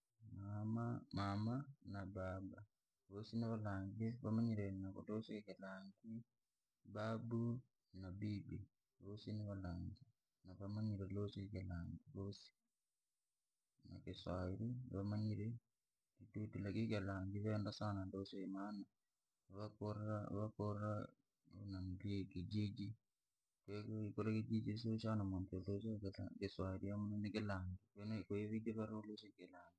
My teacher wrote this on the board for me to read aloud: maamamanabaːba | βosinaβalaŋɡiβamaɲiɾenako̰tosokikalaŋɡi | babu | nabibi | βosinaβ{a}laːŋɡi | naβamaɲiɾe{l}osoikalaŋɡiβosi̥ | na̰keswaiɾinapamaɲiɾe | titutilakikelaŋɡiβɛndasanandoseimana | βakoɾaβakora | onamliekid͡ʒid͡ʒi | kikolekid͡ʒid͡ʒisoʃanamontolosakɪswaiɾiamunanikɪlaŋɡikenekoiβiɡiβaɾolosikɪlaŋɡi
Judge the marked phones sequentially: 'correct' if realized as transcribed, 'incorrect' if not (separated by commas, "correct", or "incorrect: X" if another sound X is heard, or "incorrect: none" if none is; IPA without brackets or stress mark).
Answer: correct, correct